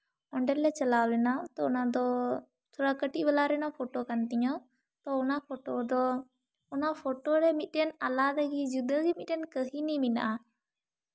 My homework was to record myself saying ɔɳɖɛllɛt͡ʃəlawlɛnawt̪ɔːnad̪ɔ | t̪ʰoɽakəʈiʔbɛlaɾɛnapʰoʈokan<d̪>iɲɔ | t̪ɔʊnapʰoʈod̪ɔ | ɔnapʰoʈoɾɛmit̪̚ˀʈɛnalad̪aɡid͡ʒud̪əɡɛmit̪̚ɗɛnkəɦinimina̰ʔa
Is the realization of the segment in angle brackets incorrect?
yes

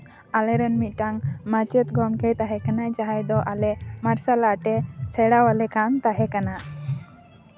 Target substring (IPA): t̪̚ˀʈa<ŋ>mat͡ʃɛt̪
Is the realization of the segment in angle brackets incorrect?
no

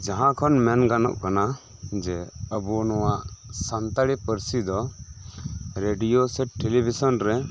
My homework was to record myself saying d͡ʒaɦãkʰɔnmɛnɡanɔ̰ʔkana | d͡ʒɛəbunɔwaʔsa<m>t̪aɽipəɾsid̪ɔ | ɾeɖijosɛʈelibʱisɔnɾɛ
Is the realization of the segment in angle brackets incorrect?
yes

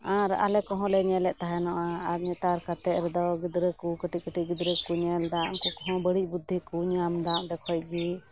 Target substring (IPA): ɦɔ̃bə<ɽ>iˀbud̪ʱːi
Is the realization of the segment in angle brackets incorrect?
no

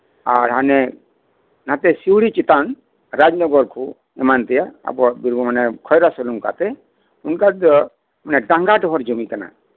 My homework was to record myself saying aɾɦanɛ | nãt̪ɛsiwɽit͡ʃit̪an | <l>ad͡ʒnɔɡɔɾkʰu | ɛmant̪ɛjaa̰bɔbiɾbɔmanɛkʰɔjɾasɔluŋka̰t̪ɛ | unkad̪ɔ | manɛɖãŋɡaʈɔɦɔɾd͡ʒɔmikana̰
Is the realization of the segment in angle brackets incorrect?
yes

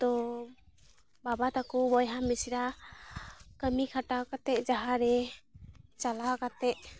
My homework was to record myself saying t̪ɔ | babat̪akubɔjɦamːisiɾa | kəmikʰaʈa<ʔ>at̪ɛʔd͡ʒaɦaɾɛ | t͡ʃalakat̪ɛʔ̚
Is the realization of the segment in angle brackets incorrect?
yes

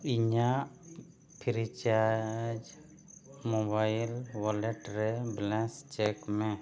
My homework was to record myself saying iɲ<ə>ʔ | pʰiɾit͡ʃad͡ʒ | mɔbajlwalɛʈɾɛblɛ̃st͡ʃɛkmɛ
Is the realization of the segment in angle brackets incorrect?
yes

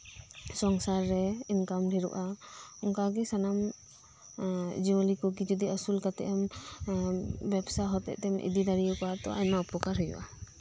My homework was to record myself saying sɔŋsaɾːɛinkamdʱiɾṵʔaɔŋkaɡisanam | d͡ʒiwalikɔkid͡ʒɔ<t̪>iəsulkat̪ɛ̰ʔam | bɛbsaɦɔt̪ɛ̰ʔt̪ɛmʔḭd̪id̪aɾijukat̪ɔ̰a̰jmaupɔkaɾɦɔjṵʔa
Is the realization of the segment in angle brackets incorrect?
yes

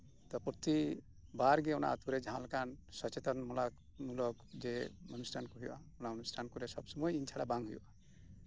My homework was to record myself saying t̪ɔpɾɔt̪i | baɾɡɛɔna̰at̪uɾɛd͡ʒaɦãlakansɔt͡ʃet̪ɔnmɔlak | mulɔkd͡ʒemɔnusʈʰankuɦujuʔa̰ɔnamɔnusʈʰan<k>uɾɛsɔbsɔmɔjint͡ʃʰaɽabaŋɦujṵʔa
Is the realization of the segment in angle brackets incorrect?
no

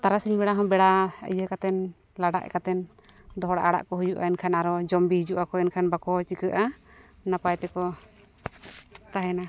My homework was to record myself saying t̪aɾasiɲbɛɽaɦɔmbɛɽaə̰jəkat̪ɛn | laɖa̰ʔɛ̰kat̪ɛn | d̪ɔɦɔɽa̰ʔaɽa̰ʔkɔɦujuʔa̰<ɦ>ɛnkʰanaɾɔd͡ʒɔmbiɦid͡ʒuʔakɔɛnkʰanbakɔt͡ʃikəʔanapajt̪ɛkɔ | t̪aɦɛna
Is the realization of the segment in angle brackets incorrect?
yes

